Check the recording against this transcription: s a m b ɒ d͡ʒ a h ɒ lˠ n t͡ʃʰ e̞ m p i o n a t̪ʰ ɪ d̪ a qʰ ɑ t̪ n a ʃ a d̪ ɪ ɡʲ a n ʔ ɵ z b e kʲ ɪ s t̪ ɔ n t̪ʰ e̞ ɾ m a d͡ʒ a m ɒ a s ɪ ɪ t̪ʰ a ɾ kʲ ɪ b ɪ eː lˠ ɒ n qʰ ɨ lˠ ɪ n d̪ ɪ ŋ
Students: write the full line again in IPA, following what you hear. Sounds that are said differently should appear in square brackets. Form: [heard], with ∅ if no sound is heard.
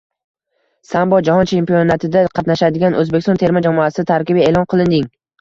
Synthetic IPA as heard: s a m b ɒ d͡ʒ a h ɒ [∅] n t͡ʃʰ e̞ m p i o n a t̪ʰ ɪ d̪ a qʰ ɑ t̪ n a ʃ a d̪ ɪ ɡʲ a n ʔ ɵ z b e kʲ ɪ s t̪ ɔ n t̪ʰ e̞ ɾ m a d͡ʒ a m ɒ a s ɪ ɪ t̪ʰ a ɾ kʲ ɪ b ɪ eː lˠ ɒ n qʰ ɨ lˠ ɪ n d̪ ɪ ŋ